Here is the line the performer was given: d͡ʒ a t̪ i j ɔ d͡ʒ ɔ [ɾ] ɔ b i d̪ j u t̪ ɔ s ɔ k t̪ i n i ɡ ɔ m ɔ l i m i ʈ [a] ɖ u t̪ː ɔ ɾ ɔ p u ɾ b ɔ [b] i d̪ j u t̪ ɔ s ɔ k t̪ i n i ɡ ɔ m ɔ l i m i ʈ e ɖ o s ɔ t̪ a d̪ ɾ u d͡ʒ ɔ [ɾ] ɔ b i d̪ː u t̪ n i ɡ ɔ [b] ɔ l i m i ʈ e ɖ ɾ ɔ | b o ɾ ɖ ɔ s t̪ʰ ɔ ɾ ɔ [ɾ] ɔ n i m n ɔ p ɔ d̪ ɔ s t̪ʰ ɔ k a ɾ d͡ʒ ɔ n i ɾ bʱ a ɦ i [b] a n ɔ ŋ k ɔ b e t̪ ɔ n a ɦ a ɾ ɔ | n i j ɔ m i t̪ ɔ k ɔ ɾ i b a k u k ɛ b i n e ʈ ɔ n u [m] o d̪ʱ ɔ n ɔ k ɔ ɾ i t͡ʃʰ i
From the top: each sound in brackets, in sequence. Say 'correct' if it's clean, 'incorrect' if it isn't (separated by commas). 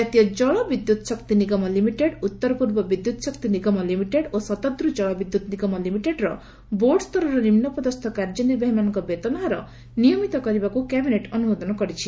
incorrect, incorrect, correct, incorrect, incorrect, correct, incorrect, correct